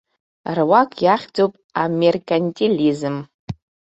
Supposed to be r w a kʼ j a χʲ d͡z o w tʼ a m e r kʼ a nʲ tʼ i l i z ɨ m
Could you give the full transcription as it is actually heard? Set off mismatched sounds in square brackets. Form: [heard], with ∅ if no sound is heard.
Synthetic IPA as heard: r w a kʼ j a χʲ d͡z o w [pʼ] a m e r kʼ a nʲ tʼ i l i z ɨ m